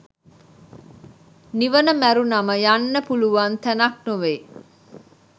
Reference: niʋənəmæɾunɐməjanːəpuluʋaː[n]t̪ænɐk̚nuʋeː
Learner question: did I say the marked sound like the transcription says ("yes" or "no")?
yes